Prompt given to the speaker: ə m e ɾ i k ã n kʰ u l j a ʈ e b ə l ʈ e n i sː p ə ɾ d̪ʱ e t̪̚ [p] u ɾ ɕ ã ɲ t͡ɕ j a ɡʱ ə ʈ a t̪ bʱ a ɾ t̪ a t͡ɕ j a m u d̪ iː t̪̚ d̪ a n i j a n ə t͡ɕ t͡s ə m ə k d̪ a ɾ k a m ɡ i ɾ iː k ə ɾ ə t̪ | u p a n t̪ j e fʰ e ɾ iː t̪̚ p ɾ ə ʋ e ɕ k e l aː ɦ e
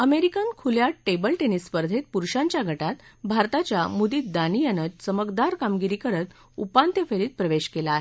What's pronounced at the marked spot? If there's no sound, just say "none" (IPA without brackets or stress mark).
p